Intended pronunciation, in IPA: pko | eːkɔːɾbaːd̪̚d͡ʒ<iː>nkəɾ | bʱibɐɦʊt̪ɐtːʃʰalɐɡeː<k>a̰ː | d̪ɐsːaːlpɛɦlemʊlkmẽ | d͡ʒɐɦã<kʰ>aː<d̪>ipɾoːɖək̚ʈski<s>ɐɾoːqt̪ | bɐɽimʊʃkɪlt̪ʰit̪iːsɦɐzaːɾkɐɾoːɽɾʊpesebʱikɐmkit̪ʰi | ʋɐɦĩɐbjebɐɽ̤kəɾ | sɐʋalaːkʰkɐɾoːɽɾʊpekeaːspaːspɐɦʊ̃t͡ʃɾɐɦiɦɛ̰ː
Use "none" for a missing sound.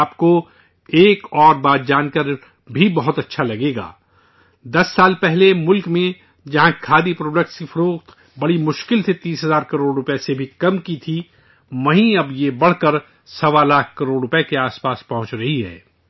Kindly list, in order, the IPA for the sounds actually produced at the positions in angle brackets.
aː, ɡ, kʰ, d̪, f

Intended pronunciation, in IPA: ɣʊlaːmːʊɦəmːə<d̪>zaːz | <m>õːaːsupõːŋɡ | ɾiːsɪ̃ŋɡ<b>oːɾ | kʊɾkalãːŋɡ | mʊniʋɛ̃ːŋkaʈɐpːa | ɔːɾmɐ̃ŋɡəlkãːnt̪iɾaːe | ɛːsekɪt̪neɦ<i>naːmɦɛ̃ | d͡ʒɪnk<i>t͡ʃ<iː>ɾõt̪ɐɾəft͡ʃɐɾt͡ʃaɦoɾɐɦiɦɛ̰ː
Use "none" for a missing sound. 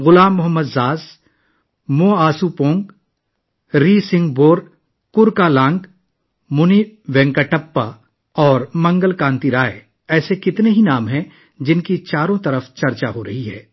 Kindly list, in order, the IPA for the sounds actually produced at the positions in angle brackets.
d̪, m, b, i, i, aː

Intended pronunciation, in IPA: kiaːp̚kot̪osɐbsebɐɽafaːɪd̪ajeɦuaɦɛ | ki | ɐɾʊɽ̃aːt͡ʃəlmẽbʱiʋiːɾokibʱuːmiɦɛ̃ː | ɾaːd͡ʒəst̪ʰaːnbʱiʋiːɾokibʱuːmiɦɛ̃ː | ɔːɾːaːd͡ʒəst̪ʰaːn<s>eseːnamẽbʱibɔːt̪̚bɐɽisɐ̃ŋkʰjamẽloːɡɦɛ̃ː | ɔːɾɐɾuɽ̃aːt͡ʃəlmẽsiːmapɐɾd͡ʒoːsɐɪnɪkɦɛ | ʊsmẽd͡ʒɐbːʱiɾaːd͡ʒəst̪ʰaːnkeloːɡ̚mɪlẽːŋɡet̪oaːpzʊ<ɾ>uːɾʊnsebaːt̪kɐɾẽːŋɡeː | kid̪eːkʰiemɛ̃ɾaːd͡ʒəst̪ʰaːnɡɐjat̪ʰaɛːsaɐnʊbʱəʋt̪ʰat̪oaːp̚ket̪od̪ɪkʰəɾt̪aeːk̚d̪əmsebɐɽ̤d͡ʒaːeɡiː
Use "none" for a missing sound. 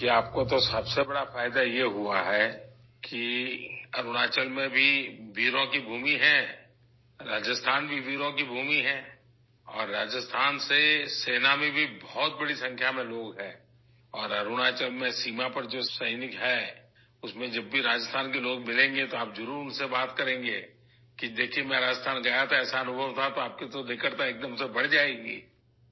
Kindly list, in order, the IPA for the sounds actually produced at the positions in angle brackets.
s, ɾ

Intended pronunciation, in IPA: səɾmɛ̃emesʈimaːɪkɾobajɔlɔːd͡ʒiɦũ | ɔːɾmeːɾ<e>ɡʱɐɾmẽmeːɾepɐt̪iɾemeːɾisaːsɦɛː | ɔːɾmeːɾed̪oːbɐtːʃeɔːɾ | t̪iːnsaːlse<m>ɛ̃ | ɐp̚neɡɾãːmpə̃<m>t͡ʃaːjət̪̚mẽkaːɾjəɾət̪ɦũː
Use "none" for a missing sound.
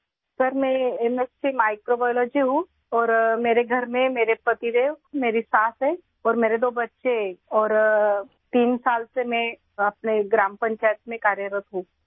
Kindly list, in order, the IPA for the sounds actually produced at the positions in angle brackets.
e, m, ɲ

